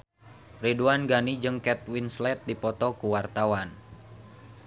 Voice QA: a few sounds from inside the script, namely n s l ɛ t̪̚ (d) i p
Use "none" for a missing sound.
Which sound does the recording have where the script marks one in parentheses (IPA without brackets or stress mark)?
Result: d